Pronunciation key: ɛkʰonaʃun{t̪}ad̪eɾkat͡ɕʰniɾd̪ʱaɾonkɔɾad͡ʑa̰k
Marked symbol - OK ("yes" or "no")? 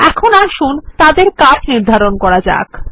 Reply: yes